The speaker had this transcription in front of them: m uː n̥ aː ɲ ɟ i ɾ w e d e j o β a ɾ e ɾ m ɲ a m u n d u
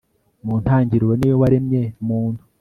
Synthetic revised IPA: m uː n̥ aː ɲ ɟ i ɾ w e n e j o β a ɾ e m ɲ e m uː n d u